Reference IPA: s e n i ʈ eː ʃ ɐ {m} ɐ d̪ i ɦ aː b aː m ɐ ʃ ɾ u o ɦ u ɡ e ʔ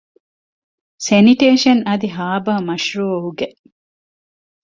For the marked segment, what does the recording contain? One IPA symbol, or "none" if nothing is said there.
n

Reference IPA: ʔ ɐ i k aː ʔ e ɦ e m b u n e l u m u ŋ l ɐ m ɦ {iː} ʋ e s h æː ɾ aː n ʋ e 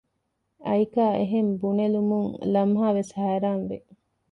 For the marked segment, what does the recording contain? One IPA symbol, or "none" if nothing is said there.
aː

